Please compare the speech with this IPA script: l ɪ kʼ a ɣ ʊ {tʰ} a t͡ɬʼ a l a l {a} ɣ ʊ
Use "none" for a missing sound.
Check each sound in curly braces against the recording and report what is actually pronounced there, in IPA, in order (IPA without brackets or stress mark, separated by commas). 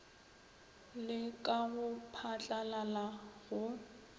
pʰ, a